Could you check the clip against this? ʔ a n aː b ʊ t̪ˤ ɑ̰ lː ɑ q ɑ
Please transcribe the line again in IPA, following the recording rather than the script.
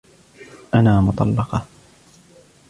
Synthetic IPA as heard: ʔ a n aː m ʊ t̪ˤ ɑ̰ lː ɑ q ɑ